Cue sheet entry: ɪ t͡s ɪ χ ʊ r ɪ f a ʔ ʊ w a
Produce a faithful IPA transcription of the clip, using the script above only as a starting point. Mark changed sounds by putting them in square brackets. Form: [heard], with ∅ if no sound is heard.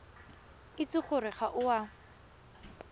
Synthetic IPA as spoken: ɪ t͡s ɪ χ ʊ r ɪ [χ] a ʔ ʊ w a

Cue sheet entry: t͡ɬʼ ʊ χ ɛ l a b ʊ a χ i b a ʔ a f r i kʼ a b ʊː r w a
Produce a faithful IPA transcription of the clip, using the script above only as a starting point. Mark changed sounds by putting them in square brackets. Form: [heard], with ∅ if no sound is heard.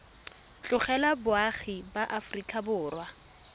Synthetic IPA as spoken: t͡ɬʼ ʊ χ ɛ l a b ʊ a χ i b a ʔ a f r i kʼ a b ʊː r w a

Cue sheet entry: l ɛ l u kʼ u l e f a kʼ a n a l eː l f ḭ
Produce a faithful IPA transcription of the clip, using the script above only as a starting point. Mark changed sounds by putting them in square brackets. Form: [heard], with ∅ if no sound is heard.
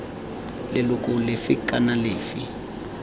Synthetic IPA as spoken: l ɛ l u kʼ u l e f [i] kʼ a n a l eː [∅] f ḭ

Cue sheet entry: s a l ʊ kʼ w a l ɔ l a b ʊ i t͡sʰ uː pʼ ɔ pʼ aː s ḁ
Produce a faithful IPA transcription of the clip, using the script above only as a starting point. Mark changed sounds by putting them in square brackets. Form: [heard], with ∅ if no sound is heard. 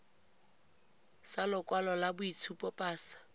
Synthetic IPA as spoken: s a l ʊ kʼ w a l ɔ l a b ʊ i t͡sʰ [u] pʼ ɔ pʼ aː s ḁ

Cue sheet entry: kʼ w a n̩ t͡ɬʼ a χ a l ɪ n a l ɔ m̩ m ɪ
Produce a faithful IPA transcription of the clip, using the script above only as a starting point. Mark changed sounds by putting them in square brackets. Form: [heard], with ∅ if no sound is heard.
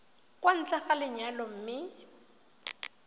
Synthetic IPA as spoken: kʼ w a n̩ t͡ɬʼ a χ a l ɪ [ɲ] a l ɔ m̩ m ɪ

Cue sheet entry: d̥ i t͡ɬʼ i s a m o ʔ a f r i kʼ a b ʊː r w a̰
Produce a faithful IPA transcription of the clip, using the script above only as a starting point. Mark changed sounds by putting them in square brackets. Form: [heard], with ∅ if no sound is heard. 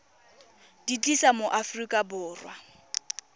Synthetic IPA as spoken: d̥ i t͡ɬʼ i s a m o ʔ a f r i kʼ a b ʊː r w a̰

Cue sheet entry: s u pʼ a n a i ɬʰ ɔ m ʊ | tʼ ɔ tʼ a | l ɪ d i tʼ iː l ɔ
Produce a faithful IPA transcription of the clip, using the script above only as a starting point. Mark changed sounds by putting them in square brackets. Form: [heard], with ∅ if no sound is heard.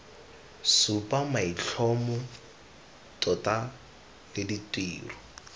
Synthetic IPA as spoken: s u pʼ a [m] a i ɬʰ ɔ m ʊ | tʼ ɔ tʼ a | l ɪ d i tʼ iː [r] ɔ

